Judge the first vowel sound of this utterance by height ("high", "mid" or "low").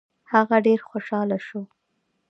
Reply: low